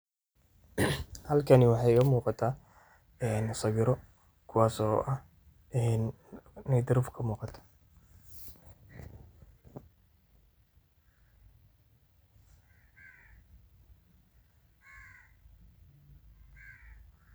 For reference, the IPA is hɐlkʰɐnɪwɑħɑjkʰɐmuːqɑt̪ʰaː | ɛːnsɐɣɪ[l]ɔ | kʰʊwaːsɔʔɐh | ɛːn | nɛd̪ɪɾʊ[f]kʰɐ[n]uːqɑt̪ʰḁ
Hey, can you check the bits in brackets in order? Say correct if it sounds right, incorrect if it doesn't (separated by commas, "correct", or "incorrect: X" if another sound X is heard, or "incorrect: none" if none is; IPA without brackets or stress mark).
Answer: incorrect: ɾ, correct, incorrect: m